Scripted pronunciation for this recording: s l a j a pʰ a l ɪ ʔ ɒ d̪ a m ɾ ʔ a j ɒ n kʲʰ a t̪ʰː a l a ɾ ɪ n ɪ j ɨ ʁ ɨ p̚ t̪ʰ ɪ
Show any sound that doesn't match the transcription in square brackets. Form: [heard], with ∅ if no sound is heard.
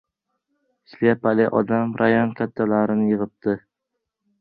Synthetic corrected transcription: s l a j a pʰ a l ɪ ʔ ɒ d̪ a m ɾ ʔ a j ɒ n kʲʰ a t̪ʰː a l a ɾ ɪ n ɪ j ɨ ʁ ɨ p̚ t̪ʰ ɪ